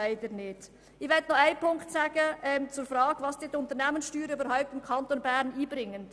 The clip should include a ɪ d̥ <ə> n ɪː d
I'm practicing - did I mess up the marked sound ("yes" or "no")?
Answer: no